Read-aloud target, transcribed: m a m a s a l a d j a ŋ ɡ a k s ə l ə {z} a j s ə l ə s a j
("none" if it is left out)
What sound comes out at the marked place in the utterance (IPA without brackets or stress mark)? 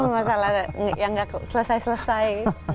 s